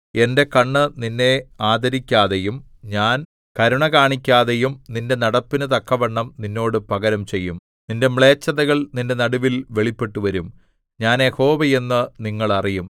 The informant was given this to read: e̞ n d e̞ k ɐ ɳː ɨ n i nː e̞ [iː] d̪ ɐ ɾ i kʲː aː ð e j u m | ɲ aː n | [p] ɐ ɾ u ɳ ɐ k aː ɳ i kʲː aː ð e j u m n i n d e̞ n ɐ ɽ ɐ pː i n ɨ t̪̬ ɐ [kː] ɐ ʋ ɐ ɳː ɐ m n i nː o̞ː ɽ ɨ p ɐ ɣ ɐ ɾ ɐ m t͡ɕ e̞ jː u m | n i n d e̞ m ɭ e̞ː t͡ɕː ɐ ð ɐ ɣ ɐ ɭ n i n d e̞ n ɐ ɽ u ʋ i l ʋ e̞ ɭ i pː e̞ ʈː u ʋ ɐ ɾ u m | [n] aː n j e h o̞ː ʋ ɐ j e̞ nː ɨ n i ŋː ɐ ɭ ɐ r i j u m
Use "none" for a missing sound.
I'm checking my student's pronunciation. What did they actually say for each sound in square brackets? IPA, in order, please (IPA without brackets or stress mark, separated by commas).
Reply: aː, k, kː, ɲ